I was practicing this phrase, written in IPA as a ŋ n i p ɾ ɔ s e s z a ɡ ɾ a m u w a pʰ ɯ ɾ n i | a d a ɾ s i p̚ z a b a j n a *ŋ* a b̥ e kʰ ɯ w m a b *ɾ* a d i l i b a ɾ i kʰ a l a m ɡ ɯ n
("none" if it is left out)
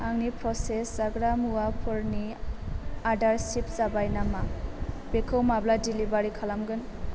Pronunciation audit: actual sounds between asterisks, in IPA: m, l

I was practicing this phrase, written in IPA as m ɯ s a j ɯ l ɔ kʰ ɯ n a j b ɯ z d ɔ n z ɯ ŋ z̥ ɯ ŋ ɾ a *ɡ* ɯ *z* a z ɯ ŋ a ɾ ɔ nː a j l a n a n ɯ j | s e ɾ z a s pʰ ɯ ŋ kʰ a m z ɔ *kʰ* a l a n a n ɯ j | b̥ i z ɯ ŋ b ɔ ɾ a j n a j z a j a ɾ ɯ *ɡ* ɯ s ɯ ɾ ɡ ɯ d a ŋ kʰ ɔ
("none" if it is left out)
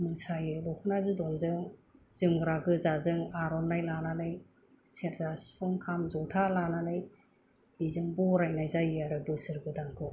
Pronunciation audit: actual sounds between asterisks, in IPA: ɡ, z, tʰ, b

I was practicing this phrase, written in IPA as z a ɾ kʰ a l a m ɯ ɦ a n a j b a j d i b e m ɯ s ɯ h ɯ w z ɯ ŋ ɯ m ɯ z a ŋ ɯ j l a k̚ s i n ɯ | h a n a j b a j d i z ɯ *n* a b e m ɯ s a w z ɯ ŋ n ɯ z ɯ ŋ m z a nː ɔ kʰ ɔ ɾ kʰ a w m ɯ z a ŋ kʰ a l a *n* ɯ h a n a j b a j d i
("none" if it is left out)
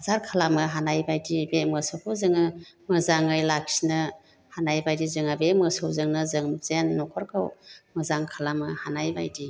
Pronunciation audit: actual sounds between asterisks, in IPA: ŋ, m

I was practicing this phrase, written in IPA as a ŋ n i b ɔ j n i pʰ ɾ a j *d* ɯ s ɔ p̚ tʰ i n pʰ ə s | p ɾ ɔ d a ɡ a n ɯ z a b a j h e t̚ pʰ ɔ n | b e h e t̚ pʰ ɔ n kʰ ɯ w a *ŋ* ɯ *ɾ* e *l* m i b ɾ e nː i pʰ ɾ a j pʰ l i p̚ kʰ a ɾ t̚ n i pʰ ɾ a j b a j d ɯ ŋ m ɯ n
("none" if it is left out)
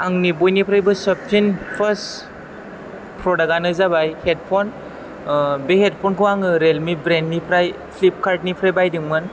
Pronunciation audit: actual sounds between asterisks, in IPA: b, ŋ, ɾ, l

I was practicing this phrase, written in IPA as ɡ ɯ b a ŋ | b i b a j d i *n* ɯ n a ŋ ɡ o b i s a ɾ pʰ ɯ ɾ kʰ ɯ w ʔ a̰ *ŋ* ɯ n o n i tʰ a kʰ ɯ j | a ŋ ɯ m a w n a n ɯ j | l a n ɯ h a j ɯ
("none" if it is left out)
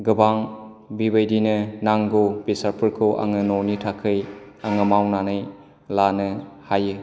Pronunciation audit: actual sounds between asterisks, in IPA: n, ŋ

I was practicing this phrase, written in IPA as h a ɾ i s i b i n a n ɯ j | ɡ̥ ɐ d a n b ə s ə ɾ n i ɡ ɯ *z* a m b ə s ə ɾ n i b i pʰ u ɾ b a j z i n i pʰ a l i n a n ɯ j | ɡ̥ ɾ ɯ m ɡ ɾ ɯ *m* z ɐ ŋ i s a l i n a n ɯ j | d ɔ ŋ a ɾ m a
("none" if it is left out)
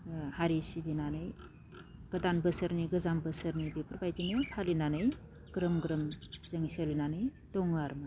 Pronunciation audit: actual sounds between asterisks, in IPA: z, m

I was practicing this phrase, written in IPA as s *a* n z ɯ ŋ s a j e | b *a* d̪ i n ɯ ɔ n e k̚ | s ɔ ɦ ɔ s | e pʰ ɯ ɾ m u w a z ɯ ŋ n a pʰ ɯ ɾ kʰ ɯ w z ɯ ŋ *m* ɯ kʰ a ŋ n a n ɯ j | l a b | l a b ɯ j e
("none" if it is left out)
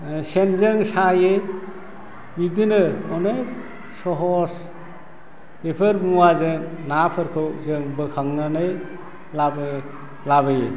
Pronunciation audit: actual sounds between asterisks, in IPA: e, i, b

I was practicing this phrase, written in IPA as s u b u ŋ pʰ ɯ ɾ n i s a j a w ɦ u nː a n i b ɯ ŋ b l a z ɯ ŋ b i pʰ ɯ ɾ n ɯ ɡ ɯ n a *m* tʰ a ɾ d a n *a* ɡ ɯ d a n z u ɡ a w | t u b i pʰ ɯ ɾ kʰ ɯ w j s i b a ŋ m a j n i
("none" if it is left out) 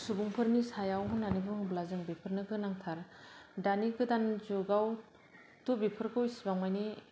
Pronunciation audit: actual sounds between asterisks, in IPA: ŋ, i

